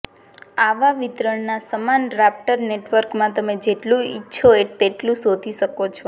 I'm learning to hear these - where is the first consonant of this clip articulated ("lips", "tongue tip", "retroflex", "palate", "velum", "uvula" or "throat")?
lips